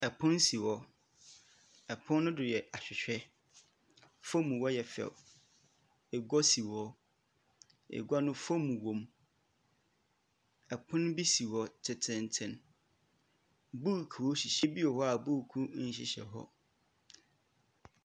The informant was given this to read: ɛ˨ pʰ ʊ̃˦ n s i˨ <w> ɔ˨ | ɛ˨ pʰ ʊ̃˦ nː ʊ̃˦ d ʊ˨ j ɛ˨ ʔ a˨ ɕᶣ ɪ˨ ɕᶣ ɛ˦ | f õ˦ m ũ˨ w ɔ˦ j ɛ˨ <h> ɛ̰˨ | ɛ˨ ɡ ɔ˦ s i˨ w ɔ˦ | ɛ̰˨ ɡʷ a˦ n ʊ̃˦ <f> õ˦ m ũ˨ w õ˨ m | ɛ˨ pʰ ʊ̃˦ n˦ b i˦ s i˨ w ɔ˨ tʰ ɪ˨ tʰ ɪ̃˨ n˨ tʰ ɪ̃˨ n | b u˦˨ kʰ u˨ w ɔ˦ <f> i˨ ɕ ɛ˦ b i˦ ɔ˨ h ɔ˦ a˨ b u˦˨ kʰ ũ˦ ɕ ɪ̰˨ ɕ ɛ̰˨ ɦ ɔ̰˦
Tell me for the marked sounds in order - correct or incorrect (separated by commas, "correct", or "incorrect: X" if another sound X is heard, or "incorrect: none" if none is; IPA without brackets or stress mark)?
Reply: correct, incorrect: f, correct, incorrect: ɕ